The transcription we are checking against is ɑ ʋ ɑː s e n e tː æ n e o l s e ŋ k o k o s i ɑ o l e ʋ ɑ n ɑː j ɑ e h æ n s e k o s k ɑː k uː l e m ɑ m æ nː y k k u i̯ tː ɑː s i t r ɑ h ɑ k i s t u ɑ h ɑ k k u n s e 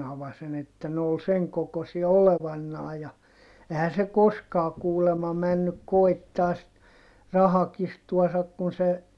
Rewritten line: ɑ ʋ ɑ s e n e tː æ n e o l s e ŋ k o k o s i ɑ o l e ʋ ɑ nː ɑː j ɑ e h æ n s e k o s k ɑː k uː l e m ɑ m æ nː y k k o i̯ tː ɑː s i t r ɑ h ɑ k i s t u ɑ s ɑ k k u n s e